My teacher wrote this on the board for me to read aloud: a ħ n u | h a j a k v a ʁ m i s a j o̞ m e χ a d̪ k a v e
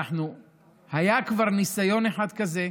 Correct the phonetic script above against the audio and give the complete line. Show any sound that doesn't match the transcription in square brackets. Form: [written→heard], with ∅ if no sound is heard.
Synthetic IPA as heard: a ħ n u | h a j a k v a ʁ [m→n] i s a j o̞ [m→n] e [χ→ħ] a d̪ k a [v→z] e